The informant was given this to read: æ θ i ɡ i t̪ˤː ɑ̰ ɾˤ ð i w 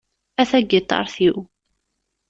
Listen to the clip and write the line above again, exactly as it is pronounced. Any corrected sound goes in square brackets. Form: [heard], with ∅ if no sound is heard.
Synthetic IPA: æ θ [æ] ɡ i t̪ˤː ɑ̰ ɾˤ [θ] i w

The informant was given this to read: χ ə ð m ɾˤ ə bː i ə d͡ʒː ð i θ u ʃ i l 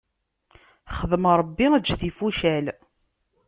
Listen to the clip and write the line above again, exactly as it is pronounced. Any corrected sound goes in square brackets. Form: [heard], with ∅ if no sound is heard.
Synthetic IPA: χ ə ð m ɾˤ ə bː i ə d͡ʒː [θ] i [f] u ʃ [æ] l

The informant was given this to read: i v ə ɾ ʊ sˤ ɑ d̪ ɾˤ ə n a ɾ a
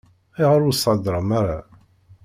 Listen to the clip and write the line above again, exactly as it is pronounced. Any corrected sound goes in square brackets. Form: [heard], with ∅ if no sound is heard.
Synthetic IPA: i [ʁ] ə ɾ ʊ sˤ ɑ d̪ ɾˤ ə [m] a ɾ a

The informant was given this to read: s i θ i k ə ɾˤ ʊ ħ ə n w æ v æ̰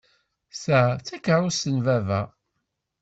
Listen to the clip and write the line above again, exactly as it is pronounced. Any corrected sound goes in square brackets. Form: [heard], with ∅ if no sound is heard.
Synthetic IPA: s [æ] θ [æ] k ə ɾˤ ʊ [s] ə n [v] æ v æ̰

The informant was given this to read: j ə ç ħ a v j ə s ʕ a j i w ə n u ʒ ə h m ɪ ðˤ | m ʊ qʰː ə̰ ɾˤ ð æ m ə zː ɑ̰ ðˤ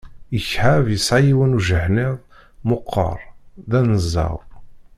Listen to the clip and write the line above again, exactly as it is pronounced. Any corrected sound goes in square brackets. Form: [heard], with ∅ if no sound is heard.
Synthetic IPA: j ə ç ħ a v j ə s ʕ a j i w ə n u ʒ ə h [n] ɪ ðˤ | m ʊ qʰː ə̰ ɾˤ ð æ [n] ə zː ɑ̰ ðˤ

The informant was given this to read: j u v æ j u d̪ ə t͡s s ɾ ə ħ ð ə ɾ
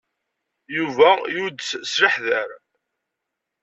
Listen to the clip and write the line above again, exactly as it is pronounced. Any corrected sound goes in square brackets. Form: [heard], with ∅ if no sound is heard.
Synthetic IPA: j u v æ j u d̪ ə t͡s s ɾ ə ħ ð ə ɾ

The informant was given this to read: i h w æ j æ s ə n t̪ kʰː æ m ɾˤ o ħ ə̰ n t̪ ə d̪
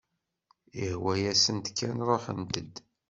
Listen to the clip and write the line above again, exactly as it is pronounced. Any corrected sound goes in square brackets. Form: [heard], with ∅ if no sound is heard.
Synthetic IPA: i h w æ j æ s ə n t̪ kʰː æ [n] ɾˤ o ħ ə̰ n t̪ ə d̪

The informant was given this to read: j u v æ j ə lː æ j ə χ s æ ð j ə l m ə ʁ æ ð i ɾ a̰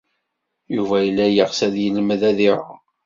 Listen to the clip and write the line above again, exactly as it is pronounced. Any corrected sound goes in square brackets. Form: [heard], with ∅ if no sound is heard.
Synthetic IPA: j u v æ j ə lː æ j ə [ʁ] s æ ð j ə l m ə [ð] æ ð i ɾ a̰

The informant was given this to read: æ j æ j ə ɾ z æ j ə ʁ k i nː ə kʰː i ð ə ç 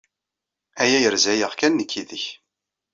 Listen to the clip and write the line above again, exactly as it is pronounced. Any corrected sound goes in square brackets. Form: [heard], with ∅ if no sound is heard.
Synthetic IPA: æ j æ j ə ɾ z æ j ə ʁ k [æ] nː ə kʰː i ð ə ç

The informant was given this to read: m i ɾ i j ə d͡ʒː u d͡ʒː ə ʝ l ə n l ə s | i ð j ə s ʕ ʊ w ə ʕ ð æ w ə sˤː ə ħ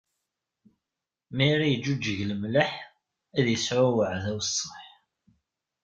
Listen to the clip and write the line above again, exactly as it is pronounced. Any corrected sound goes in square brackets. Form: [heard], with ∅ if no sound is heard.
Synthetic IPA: m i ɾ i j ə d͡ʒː u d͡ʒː ə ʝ l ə [m] l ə [ħ] | [æ] ð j ə s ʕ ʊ w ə ʕ ð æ w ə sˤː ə ħ

